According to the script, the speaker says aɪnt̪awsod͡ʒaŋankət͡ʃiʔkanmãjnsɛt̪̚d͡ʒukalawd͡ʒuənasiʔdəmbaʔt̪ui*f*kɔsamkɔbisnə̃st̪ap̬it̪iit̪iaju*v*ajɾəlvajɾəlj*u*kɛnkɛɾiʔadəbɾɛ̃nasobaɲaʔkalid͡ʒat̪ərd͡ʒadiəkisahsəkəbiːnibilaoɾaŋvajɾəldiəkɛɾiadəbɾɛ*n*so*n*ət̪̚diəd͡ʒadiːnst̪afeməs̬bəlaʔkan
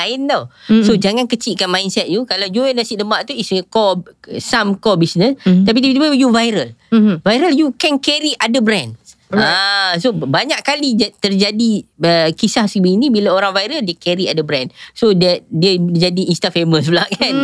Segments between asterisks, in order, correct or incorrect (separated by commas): incorrect, correct, correct, correct, incorrect